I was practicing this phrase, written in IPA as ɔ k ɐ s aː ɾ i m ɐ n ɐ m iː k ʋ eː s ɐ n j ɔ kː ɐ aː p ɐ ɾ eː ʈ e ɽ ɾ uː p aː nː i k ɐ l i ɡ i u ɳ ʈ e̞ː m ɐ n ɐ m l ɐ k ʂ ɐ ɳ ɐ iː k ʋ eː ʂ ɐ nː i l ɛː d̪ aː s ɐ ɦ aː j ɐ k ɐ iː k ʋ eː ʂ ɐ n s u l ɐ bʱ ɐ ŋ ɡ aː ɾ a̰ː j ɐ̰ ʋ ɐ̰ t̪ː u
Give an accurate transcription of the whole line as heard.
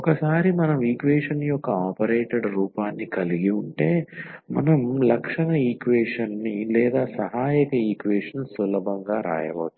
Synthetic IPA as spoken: ɔ k ɐ s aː ɾ i m ɐ n ɐ m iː k ʋ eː ʂ ɐ n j ɔ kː ɐ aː p ɐ ɾ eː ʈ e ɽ ɾ uː p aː nː i k ɐ l i ɡ i u ɳ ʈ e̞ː m ɐ n ɐ m l ɐ k ʂ ɐ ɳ ɐ iː k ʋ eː ʂ ɐ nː i l ɛː d̪ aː s ɐ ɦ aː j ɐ k ɐ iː k ʋ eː ʂ ɐ n s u l ɐ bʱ ɐ ŋ ɡ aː ɾ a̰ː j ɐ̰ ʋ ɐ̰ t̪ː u